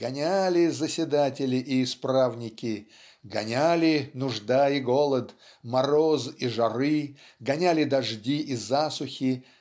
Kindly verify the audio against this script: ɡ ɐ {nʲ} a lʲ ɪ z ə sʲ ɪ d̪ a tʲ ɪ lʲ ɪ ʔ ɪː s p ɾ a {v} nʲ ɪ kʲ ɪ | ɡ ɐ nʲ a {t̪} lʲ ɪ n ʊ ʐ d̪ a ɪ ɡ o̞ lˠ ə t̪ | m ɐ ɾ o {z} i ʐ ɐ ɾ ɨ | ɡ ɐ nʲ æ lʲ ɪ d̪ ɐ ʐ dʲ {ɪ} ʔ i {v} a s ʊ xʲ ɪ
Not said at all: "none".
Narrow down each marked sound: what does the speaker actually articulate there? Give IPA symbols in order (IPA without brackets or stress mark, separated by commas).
nʲ, v, none, z, i, z